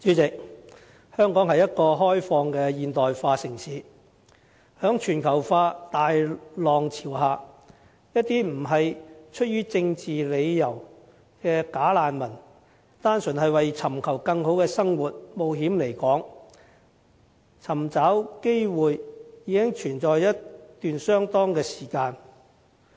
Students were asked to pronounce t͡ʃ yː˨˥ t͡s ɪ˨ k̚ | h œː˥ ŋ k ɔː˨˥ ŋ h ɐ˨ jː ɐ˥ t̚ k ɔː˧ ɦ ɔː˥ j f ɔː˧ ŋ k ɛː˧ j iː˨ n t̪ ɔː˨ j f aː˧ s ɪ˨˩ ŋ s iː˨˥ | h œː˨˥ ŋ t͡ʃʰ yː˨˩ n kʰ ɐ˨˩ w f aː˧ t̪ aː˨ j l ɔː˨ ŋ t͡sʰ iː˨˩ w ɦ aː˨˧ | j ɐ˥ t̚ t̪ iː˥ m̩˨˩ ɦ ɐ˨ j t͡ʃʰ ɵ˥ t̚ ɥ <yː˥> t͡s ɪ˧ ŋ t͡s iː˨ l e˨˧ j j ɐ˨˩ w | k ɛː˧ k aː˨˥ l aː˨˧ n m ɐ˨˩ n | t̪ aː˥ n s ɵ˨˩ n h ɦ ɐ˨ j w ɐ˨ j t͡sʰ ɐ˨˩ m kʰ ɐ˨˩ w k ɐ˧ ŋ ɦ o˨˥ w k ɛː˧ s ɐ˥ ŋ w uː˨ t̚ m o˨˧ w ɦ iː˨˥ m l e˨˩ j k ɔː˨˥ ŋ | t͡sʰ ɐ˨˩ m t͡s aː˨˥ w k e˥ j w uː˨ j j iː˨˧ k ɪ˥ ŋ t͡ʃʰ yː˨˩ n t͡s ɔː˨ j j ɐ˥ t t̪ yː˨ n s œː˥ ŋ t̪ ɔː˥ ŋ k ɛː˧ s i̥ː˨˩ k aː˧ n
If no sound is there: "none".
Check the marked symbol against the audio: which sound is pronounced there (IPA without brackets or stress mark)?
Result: yː˥